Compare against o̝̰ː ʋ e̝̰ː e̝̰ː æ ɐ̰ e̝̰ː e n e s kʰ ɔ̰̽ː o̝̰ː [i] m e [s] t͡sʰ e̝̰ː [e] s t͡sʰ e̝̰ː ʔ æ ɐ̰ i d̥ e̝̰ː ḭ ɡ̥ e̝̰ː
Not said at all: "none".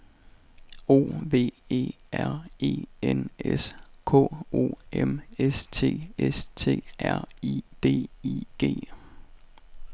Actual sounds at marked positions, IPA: e, s, e

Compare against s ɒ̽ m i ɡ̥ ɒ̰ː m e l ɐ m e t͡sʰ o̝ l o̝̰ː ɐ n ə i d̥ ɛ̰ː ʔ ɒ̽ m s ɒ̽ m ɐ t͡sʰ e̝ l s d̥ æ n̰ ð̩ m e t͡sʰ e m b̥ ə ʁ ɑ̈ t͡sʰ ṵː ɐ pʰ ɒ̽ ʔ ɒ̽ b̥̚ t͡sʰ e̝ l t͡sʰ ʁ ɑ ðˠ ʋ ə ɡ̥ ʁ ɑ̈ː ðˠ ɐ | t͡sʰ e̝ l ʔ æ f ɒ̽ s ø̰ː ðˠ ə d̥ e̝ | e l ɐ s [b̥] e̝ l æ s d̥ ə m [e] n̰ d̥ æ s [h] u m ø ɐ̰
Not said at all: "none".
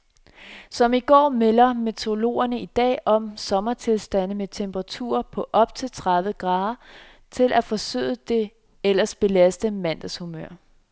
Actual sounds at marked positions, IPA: b̥, æ, h

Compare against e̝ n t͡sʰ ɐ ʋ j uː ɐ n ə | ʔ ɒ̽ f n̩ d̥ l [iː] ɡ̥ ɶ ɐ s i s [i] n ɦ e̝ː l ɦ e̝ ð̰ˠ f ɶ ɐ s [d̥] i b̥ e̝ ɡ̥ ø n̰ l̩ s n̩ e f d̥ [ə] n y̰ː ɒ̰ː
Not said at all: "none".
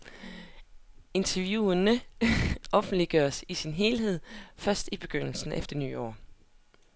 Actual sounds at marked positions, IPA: i, i, d̥, ɐ

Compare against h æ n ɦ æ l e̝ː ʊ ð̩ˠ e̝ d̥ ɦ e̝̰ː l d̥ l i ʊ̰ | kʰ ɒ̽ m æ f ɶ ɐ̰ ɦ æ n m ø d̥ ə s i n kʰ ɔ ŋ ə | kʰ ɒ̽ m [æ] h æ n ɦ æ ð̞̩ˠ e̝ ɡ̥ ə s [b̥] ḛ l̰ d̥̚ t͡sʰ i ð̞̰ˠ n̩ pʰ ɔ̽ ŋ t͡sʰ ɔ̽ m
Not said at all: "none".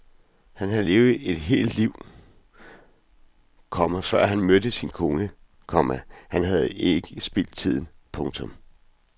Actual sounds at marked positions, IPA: æ, b̥

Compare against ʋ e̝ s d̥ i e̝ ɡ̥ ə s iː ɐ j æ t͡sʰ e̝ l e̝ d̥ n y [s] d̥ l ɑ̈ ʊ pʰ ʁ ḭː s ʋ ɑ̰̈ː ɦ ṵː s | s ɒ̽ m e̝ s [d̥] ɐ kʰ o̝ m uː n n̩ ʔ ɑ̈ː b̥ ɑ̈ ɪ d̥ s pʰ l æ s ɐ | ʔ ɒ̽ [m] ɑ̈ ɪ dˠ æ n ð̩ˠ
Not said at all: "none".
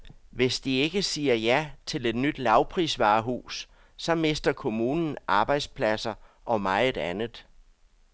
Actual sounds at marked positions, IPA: none, d̥, m

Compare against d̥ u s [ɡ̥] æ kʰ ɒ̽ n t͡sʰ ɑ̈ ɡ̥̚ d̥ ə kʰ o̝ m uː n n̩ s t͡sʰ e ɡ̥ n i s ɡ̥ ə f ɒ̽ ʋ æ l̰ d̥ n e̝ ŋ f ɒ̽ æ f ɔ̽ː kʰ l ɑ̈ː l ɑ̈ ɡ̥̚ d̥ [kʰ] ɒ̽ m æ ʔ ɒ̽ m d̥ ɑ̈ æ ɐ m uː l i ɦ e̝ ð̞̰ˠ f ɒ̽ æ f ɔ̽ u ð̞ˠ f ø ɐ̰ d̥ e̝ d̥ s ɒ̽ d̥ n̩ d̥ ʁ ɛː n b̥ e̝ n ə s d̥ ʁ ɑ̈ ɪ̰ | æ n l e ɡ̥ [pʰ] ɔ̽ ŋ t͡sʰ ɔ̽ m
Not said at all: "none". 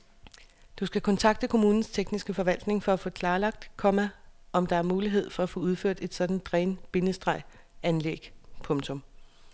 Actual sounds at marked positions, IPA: ɡ̥, kʰ, pʰ

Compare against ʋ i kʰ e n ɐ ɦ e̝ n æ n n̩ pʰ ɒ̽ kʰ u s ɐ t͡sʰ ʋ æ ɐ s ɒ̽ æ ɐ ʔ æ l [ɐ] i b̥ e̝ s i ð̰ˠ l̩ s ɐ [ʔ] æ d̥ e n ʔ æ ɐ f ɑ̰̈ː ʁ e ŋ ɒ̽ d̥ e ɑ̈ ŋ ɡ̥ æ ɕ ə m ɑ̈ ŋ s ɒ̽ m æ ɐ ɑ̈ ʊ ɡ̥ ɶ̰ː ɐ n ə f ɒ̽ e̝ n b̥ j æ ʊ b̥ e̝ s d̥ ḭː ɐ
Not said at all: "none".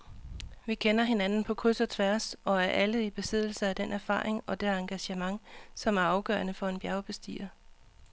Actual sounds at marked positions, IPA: ə, none

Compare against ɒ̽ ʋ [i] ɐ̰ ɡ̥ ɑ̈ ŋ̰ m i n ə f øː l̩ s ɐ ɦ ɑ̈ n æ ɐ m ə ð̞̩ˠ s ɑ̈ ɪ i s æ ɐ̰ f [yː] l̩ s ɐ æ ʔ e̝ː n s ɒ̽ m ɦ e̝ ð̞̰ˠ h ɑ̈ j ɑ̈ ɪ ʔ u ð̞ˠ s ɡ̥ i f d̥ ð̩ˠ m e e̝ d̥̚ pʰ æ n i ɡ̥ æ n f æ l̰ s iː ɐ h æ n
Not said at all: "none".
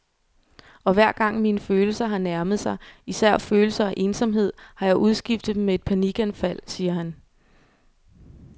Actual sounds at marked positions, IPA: æ, øː

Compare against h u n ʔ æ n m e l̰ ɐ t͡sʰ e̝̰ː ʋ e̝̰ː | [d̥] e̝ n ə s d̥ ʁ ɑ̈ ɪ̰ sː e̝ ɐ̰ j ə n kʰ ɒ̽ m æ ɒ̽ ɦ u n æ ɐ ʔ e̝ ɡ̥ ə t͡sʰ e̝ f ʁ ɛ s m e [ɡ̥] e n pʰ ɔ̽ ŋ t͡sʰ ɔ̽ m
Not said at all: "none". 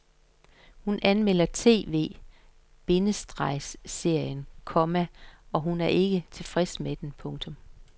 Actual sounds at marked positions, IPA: b̥, d̥

